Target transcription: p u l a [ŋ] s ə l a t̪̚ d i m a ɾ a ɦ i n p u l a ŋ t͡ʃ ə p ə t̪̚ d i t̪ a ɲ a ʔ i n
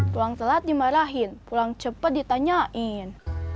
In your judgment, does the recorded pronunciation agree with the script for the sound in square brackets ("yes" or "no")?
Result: yes